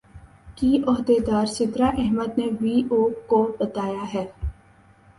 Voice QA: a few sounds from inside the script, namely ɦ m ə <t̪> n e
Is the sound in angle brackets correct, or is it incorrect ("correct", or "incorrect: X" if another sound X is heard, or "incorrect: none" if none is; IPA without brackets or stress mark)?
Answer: incorrect: d̪